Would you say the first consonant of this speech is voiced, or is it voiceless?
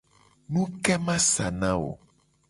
voiced